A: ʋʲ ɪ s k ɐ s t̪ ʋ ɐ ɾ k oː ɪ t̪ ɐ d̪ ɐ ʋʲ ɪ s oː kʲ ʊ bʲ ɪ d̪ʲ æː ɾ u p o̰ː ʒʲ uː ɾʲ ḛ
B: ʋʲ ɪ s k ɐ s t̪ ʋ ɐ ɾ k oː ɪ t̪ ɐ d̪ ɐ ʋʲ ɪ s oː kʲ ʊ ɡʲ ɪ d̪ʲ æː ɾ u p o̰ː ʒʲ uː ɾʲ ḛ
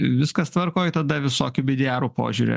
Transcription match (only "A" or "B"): A